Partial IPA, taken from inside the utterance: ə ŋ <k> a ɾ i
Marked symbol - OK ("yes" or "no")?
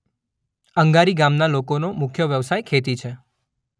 no